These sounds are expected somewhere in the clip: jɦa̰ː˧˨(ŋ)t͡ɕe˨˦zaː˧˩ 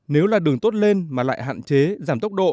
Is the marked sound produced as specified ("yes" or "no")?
no